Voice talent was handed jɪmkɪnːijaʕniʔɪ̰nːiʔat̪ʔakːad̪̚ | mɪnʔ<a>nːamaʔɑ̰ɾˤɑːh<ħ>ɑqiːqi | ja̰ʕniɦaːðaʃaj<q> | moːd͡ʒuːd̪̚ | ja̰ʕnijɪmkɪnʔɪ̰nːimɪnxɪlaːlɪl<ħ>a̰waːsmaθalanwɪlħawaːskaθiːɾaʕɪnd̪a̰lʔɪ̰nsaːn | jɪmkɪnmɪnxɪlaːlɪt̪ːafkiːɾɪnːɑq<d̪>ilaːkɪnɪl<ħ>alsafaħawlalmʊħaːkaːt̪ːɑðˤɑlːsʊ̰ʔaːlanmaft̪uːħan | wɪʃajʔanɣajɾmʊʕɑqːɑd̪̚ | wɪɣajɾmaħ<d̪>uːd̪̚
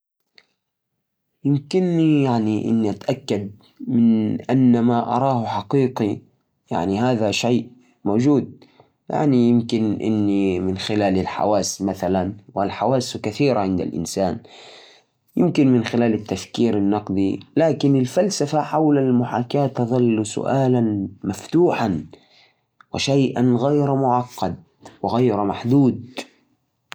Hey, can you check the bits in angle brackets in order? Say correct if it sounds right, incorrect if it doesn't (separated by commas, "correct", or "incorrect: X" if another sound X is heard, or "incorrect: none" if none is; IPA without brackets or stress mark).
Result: correct, correct, incorrect: ʔ, correct, correct, incorrect: f, correct